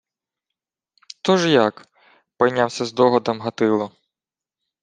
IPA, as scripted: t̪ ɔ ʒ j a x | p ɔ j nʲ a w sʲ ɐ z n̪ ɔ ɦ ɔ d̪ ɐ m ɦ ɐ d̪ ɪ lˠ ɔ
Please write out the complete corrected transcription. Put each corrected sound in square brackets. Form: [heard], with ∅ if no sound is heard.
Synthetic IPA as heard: t̪ ɔ ʒ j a [k] | p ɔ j nʲ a w sʲ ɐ z [d̪] ɔ ɦ ɔ d̪ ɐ m ɦ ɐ [t̪] ɪ lˠ ɔ